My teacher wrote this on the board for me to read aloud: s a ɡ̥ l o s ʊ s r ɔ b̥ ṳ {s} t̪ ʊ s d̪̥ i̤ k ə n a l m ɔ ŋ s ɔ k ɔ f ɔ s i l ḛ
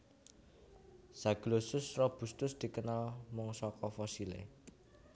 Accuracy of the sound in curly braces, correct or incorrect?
correct